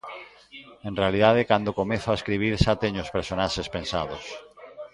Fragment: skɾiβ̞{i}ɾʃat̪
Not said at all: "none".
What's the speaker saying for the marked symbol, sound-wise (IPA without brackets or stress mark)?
i